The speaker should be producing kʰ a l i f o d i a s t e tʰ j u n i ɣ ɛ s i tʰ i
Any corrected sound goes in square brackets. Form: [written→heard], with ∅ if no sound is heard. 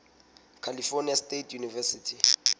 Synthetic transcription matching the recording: kʰ a l i f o [d→n] i a s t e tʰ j u n i [ɣ→v] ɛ s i tʰ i